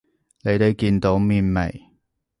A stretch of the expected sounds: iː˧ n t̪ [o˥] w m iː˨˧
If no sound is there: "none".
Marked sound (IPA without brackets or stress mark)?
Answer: o˨˥